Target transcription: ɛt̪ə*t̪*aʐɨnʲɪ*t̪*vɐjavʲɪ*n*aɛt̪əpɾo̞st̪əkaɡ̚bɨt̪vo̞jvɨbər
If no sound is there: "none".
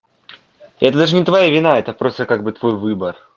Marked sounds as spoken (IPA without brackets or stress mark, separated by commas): d̪, t̪, n